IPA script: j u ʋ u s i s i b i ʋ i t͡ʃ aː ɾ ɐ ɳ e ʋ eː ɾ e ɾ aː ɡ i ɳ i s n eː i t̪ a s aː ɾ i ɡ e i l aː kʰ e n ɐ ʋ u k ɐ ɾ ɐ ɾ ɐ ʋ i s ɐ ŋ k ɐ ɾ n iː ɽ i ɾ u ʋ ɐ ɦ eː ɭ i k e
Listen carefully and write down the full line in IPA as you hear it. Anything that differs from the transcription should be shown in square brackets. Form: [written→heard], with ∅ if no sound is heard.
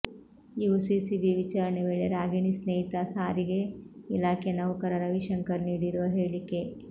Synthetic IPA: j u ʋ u s i s i b i ʋ i t͡ʃ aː ɾ ɐ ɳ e ʋ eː [ɾ→ɭ] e ɾ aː ɡ i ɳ i s n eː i t̪ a s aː ɾ i ɡ e i l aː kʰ e n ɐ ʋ u k ɐ ɾ ɐ ɾ ɐ ʋ i [s→ʃ] ɐ ŋ k ɐ ɾ n iː ɽ i ɾ u ʋ ɐ ɦ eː ɭ i k e

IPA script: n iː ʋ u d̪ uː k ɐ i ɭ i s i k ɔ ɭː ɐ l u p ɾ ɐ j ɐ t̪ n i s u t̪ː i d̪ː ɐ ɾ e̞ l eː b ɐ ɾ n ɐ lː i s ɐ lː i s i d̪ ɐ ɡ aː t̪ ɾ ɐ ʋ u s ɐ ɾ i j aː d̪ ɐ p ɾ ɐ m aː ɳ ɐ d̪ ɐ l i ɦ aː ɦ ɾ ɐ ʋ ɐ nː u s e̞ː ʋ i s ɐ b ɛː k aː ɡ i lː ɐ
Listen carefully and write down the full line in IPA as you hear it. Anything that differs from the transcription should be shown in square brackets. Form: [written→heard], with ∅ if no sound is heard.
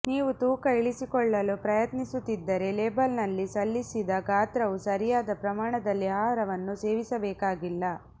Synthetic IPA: n iː ʋ u [d̪→t̪] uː k ɐ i ɭ i s i k ɔ ɭː ɐ l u p ɾ ɐ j ɐ t̪ n i s u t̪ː i d̪ː ɐ ɾ e̞ l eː b ɐ [ɾ→l] n ɐ lː i s ɐ lː i s i d̪ ɐ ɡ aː t̪ ɾ ɐ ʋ u s ɐ ɾ i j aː d̪ ɐ p ɾ ɐ m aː ɳ ɐ d̪ ɐ [l→lː] i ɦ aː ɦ ɾ ɐ ʋ ɐ nː u s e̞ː ʋ i s ɐ b ɛː k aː ɡ i lː ɐ

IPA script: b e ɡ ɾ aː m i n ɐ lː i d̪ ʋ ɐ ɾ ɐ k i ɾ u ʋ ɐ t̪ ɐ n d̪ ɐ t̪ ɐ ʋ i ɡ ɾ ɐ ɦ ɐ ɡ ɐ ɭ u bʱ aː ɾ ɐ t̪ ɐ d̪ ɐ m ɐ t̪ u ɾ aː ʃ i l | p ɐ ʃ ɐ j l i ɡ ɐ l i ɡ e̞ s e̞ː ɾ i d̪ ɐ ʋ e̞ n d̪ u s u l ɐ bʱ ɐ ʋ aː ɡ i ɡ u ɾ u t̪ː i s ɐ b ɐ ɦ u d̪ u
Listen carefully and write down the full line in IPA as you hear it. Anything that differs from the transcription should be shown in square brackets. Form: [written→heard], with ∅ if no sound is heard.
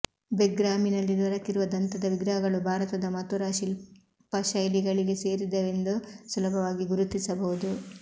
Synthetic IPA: b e ɡ ɾ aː m i n ɐ lː i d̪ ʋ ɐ ɾ ɐ k i ɾ u ʋ ɐ [t̪→d̪] ɐ n [d̪→t̪] ɐ [t̪→d̪] ɐ ʋ i ɡ ɾ ɐ ɦ ɐ ɡ ɐ ɭ u bʱ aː ɾ ɐ t̪ ɐ d̪ ɐ m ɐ t̪ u ɾ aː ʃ i l | p ɐ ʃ ɐ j l i ɡ ɐ [l→ɭ] i ɡ e̞ s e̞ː ɾ i d̪ ɐ ʋ e̞ n d̪ u s u l ɐ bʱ ɐ ʋ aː ɡ i ɡ u ɾ u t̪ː i s ɐ b ɐ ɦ u d̪ u

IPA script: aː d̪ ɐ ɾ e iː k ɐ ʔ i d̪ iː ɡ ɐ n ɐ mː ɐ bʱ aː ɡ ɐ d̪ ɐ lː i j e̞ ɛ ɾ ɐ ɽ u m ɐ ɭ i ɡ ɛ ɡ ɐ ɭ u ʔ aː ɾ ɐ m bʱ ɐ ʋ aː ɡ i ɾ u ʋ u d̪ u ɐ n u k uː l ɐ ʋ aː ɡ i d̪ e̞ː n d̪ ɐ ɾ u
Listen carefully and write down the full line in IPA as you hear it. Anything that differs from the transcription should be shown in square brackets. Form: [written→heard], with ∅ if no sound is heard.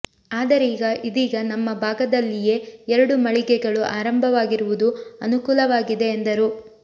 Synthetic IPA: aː d̪ ɐ ɾ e iː [k→ɡ] ɐ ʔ i d̪ iː ɡ ɐ n ɐ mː ɐ bʱ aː ɡ ɐ d̪ ɐ lː i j e̞ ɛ ɾ ɐ ɽ u m ɐ ɭ i ɡ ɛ ɡ ɐ ɭ u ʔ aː ɾ ɐ m bʱ ɐ ʋ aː ɡ i ɾ u ʋ u d̪ u ɐ n u k uː l ɐ ʋ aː ɡ i d̪ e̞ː n d̪ ɐ ɾ u

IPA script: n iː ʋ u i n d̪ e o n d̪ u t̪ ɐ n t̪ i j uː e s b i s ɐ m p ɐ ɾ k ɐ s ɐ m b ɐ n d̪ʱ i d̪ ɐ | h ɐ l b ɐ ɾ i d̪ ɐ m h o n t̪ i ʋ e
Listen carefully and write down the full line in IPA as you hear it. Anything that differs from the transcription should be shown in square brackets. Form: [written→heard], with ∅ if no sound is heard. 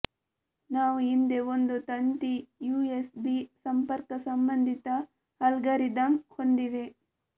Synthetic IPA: n [iː→aː] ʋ u i n d̪ e o n d̪ u t̪ ɐ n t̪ i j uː e s b i s ɐ m p ɐ ɾ k ɐ s ɐ m b ɐ n d̪ʱ i [d̪→t̪] ɐ | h ɐ l [b→ɡ] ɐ ɾ i d̪ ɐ m h o n [t̪→d̪] i ʋ e

